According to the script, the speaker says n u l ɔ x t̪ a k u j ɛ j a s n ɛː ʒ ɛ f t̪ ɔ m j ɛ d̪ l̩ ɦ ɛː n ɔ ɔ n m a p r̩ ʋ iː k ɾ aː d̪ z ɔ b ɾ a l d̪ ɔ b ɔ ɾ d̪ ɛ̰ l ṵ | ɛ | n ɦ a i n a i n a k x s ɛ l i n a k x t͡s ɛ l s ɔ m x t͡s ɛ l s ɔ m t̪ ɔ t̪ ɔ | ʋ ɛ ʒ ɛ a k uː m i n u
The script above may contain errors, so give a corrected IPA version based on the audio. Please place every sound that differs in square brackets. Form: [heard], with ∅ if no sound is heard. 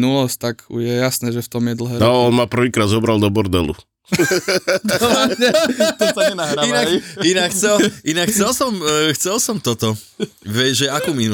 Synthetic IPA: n u l ɔ [s] t̪ a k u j ɛ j a s n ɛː ʒ ɛ f t̪ ɔ m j ɛ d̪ l̩ ɦ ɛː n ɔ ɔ n m a p r̩ ʋ iː k ɾ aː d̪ z ɔ b ɾ a l d̪ ɔ b ɔ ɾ d̪ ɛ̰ l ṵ | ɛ | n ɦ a i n a i n a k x [t͡s] ɛ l i n a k x t͡s ɛ l s ɔ m x t͡s ɛ l s ɔ m t̪ ɔ t̪ ɔ | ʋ ɛ ʒ ɛ a k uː m i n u